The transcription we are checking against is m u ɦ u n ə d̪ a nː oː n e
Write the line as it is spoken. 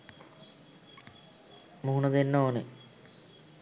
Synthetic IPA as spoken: m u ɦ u n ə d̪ e nː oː n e